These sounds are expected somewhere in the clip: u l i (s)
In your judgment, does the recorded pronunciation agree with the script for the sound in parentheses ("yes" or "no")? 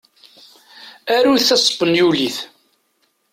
no